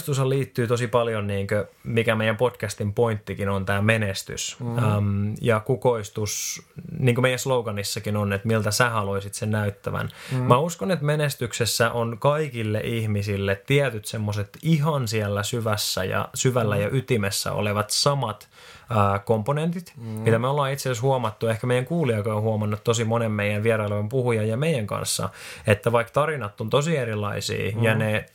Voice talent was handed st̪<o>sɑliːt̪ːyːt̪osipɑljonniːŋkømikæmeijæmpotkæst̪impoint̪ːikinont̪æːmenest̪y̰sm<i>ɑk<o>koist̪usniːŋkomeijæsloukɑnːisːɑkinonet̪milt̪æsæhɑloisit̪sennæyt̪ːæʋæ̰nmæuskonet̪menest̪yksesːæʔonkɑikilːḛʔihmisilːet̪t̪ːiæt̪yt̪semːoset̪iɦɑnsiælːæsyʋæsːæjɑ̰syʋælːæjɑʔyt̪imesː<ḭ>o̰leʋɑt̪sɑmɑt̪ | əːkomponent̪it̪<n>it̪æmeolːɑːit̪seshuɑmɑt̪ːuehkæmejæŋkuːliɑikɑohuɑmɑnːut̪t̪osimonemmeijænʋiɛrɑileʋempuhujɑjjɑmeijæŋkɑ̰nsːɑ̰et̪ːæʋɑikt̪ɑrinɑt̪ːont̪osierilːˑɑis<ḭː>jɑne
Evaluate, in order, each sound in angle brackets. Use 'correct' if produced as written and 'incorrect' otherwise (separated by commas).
incorrect, incorrect, incorrect, incorrect, incorrect, correct